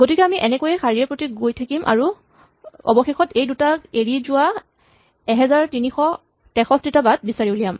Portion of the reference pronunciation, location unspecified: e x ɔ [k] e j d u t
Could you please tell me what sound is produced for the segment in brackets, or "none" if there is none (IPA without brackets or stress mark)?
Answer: t